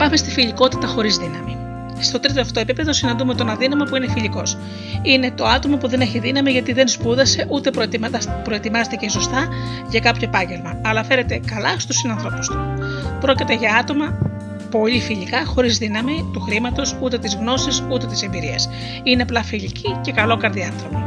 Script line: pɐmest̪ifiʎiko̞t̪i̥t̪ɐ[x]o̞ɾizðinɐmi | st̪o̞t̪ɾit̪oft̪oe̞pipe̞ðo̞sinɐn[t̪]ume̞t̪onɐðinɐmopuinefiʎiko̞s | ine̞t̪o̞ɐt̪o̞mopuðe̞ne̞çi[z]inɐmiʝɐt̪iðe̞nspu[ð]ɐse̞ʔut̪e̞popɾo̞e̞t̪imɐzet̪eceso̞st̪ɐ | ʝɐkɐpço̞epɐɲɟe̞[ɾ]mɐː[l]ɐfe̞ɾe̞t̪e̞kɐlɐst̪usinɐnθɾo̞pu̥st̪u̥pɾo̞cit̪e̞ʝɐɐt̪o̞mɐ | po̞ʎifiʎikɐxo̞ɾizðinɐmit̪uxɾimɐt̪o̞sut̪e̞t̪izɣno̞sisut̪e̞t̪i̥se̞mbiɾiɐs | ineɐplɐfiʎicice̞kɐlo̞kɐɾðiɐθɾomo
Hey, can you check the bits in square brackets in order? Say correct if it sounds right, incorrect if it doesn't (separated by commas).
correct, incorrect, incorrect, correct, incorrect, correct